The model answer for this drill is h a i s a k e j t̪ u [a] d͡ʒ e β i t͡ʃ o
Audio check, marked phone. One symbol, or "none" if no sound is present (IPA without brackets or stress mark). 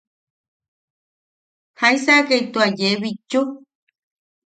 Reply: a